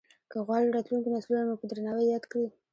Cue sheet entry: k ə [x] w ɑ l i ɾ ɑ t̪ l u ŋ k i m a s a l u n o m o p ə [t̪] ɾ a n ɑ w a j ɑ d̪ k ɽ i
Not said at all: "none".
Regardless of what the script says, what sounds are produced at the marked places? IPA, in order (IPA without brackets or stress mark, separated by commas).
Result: ɣ, d̪